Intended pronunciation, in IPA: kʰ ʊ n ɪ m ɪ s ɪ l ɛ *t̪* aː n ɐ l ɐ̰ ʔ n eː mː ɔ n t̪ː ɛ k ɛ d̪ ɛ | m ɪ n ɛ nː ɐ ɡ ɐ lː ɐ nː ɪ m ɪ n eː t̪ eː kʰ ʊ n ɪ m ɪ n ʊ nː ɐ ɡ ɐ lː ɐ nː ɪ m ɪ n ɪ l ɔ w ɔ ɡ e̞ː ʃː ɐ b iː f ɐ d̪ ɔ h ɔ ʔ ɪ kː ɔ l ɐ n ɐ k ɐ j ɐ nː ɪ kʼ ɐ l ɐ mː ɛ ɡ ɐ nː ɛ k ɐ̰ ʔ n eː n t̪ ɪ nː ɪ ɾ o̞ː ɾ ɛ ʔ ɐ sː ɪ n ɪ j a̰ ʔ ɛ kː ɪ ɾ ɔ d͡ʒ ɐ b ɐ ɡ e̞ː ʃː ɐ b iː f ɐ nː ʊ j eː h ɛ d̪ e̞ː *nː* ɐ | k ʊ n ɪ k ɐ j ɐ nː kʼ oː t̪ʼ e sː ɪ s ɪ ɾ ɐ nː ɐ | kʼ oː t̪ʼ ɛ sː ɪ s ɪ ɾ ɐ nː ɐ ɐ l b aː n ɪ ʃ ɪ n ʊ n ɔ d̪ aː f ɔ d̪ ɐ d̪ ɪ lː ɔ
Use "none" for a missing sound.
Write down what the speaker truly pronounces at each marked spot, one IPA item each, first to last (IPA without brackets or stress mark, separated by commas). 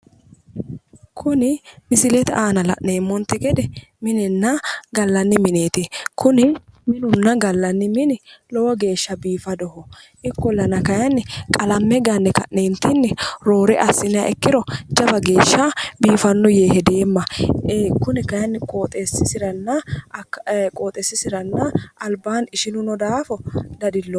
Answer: t̪, mː